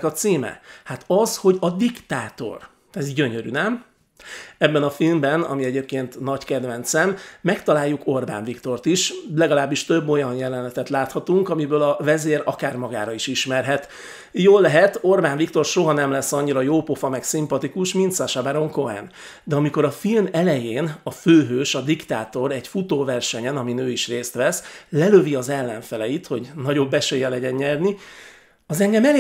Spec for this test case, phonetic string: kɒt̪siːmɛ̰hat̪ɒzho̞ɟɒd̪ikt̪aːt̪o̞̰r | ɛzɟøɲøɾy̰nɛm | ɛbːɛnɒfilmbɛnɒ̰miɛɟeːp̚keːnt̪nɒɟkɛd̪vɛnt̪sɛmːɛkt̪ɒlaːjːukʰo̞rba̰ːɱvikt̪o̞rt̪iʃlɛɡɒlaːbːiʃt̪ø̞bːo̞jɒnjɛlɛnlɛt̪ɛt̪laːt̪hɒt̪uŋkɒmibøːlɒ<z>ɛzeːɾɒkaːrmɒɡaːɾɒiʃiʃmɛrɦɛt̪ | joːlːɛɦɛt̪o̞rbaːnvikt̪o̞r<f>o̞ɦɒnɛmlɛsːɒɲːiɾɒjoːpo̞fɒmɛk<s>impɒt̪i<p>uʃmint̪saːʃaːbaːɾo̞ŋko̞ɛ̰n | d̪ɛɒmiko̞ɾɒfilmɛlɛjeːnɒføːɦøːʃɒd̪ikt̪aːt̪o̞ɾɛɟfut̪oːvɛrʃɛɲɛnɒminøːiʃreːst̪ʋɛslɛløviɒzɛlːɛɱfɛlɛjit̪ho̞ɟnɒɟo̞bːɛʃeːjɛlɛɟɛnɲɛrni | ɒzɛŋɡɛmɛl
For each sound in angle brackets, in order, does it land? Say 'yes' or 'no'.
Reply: no, no, yes, no

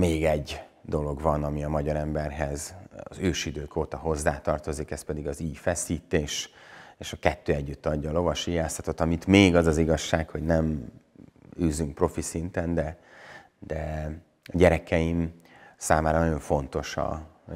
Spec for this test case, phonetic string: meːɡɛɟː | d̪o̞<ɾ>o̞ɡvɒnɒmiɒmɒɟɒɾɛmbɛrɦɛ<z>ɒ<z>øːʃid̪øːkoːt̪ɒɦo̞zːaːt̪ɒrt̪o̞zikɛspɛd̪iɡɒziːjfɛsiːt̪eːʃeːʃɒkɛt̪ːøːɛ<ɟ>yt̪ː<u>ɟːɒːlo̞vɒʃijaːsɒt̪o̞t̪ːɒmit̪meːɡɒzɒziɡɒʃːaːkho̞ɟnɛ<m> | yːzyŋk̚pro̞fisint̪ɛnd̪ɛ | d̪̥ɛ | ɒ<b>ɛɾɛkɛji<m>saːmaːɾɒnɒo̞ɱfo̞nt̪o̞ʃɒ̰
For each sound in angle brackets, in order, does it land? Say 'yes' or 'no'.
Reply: no, yes, yes, no, no, yes, no, yes

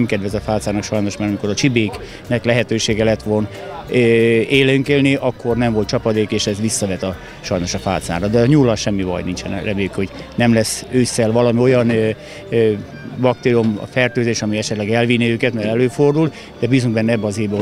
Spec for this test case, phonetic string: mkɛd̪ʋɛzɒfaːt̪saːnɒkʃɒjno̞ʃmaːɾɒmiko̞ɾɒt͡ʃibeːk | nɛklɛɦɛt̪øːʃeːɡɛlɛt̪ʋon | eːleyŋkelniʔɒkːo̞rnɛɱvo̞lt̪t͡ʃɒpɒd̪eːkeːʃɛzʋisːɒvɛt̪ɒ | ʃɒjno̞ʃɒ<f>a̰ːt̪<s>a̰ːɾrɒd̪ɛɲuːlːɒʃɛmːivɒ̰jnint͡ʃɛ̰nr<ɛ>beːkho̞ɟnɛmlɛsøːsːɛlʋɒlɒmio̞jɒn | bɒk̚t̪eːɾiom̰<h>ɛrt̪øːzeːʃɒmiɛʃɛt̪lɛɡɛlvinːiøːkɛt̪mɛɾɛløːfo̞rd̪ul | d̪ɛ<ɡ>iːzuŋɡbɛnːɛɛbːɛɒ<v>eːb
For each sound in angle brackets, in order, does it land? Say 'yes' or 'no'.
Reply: yes, yes, yes, no, no, no

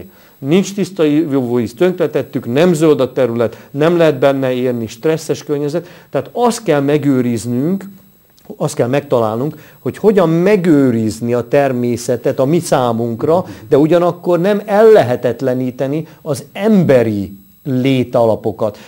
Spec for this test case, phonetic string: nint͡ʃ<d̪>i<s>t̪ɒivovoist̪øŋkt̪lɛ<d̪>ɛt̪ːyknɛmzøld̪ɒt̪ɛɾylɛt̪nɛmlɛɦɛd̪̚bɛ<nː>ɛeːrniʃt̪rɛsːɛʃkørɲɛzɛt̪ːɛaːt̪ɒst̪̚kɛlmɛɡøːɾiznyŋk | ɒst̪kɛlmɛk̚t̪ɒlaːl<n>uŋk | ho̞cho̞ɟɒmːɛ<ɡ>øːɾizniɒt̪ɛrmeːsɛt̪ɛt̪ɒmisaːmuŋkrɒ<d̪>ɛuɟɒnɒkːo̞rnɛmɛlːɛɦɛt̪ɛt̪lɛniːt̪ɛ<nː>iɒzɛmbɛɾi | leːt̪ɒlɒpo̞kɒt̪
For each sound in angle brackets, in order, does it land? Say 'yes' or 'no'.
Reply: no, yes, no, yes, yes, yes, yes, no

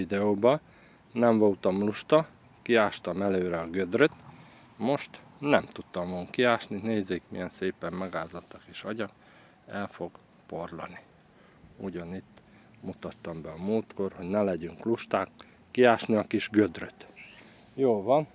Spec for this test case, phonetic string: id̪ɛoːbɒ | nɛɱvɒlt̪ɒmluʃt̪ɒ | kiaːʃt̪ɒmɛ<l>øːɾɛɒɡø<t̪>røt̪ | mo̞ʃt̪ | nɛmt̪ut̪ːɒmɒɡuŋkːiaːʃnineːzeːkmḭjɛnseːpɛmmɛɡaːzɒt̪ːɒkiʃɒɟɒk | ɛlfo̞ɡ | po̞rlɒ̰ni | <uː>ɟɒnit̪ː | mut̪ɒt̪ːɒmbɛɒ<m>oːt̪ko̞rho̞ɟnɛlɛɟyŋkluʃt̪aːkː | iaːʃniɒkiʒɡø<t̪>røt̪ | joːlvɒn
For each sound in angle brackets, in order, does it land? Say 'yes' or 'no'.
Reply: yes, no, no, yes, no

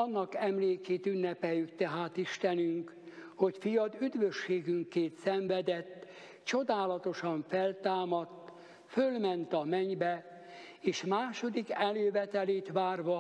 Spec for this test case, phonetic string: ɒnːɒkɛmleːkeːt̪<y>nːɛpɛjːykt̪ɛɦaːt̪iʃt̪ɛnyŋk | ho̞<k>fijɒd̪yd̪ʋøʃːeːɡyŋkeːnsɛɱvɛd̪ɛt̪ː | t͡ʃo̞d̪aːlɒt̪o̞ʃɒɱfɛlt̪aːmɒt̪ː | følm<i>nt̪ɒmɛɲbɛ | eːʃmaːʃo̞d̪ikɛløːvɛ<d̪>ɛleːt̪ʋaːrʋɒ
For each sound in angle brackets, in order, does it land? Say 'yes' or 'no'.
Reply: yes, no, no, no

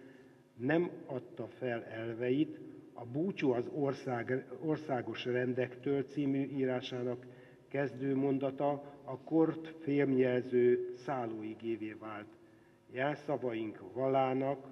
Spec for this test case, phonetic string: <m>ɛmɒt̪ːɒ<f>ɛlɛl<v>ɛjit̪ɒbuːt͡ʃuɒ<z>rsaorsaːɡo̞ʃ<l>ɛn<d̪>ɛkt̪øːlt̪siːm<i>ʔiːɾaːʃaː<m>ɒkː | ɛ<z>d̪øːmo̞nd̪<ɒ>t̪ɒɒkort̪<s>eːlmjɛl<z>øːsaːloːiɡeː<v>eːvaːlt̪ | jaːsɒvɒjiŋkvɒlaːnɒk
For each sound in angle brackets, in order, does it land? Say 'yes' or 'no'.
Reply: no, yes, yes, yes, no, yes, no, no, yes, yes, no, yes, yes

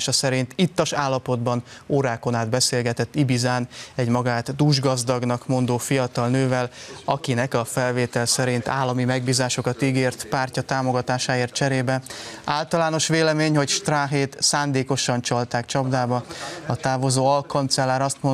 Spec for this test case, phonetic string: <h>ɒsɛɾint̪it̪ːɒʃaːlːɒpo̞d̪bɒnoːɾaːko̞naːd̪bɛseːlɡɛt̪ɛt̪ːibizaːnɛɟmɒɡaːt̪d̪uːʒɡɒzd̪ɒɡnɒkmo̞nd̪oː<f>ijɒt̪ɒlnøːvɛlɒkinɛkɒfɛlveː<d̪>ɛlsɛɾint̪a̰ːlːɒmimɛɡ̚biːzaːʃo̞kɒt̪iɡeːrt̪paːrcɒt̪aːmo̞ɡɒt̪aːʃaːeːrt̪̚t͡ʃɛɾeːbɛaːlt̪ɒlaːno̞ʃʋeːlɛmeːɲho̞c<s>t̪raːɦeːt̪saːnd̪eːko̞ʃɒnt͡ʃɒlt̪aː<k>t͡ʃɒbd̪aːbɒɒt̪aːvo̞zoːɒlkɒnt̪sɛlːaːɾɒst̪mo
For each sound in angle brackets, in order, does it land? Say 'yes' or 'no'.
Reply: no, yes, no, no, yes

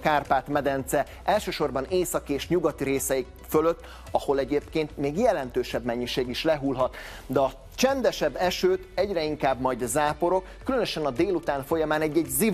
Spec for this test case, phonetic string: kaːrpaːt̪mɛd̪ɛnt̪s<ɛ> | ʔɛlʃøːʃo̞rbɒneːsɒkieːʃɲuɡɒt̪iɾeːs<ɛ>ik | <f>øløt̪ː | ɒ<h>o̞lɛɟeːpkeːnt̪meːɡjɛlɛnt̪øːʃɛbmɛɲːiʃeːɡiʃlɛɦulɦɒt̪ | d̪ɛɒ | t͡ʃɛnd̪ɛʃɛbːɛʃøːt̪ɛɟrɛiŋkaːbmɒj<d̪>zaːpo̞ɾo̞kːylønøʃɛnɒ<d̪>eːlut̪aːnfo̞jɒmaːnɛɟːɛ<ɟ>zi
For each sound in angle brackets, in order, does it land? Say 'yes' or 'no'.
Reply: yes, yes, yes, yes, yes, yes, yes

